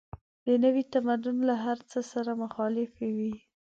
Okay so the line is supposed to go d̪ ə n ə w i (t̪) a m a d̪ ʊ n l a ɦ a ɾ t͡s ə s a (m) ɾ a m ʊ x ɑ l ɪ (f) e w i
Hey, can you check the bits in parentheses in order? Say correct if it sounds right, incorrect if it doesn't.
correct, incorrect: none, correct

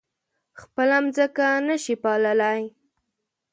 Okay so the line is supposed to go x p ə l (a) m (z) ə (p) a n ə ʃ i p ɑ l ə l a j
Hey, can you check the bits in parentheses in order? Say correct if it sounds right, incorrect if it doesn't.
correct, correct, incorrect: k

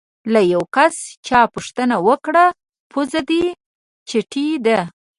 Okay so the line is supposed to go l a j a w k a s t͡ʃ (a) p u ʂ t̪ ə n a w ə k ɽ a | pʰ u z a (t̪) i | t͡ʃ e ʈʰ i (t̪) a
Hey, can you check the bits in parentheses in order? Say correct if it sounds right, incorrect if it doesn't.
incorrect: ɑ, incorrect: d̪, incorrect: d̪

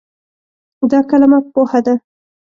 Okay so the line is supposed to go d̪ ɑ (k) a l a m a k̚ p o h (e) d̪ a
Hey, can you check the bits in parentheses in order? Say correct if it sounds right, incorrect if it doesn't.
correct, incorrect: a

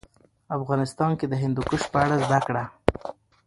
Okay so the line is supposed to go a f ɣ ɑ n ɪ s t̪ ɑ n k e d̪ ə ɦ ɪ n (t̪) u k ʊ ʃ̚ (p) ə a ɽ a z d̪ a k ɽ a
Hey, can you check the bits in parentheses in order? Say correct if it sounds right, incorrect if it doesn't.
incorrect: d̪, correct

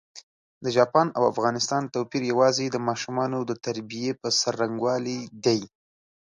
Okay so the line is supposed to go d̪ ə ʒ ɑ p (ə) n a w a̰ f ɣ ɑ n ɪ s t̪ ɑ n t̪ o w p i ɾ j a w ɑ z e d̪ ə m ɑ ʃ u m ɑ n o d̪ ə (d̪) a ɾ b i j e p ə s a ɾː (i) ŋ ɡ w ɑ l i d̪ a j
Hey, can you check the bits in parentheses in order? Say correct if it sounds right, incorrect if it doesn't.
incorrect: ɑ, incorrect: t̪, incorrect: a

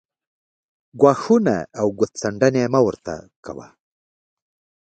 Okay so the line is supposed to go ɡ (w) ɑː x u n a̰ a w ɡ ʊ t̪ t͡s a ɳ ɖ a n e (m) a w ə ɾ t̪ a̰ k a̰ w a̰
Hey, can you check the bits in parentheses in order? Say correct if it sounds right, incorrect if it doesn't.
correct, correct

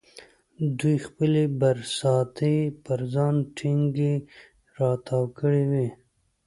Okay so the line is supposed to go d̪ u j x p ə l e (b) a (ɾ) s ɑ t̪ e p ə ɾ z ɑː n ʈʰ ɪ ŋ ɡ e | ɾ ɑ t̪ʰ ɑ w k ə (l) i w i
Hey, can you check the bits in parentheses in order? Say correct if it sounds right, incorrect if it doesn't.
correct, correct, incorrect: ɽ

